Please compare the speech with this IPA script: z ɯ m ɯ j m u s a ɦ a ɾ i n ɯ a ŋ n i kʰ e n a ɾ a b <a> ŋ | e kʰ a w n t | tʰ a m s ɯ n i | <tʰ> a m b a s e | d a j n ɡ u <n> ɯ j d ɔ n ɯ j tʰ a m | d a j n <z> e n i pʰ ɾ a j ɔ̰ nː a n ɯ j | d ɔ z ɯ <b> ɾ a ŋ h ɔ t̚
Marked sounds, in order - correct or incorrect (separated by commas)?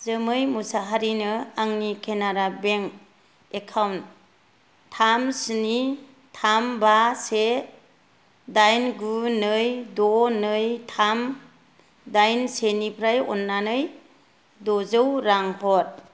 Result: incorrect, correct, correct, incorrect, incorrect